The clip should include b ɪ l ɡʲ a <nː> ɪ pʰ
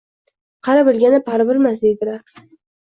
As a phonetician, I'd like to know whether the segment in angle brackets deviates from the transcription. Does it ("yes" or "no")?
yes